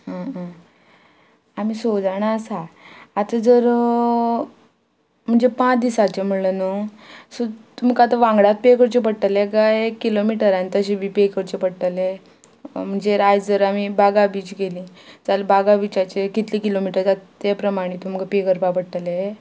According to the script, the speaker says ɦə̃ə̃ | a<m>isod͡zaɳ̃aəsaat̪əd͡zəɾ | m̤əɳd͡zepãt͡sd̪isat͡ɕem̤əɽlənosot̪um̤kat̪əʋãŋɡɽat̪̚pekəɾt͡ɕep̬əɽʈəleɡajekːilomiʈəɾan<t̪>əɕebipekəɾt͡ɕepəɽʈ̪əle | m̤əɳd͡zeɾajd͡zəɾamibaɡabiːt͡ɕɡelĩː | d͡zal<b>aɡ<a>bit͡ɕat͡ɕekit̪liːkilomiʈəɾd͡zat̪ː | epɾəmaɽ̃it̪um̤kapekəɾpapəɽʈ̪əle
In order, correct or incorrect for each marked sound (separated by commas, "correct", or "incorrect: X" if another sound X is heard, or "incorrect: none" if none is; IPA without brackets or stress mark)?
correct, correct, correct, correct